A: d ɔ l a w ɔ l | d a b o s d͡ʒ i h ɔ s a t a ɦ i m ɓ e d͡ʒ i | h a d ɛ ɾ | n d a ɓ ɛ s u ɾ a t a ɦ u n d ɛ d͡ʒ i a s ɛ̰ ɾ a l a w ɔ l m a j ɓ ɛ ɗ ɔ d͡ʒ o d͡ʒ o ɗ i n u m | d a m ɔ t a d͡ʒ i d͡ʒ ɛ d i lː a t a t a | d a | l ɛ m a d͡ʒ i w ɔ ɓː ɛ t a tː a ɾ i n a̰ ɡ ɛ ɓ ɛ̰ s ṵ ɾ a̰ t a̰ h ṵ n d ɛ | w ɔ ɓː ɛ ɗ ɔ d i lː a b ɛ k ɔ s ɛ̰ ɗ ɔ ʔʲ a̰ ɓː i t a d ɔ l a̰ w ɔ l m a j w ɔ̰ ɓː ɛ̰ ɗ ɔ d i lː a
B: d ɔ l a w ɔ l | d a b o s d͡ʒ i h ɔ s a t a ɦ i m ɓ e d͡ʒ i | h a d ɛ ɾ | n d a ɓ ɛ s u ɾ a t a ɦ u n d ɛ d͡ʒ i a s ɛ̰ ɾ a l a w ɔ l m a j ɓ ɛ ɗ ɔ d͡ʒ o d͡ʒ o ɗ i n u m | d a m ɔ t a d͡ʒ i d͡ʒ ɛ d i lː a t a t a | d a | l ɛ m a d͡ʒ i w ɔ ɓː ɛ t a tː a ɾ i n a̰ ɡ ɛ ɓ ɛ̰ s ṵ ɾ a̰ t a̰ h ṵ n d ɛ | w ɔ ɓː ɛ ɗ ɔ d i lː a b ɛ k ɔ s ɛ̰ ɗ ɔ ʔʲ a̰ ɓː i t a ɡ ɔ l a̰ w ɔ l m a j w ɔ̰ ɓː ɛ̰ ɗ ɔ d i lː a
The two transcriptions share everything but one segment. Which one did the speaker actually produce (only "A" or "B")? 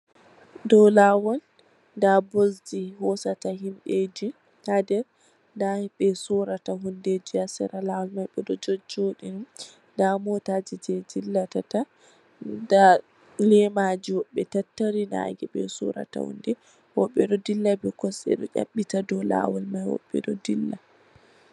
A